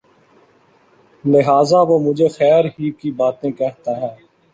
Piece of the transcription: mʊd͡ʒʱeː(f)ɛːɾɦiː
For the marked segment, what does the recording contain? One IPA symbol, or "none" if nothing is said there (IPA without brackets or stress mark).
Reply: x